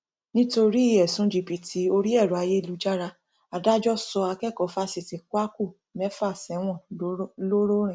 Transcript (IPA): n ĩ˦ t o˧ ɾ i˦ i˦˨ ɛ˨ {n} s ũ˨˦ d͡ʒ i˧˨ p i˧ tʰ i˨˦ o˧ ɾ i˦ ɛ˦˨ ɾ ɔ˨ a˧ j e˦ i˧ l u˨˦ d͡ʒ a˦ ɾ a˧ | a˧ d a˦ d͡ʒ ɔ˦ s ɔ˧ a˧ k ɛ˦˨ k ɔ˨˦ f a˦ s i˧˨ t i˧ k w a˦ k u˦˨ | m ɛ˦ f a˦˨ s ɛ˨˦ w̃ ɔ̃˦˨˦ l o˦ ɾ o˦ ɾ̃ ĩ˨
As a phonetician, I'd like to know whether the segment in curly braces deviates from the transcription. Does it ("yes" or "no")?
yes